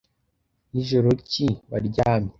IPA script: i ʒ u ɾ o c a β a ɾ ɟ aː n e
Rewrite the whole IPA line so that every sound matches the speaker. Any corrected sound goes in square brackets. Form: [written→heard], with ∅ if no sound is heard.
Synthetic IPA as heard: i ʒ [u→o] ɾ o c [a→i] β a ɾ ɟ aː [n→m] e